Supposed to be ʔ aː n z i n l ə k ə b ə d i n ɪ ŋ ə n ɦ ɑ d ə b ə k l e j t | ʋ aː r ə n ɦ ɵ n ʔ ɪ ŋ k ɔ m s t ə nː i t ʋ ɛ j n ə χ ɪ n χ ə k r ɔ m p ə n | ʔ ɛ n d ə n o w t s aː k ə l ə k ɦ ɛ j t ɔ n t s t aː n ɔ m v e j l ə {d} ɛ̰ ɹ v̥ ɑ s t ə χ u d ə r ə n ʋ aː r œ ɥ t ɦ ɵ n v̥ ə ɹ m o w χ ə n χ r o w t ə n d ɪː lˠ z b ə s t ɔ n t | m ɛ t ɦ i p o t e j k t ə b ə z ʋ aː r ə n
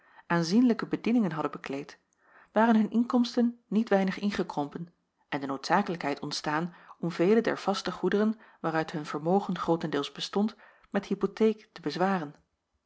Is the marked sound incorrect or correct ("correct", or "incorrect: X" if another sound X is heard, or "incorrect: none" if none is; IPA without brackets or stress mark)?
correct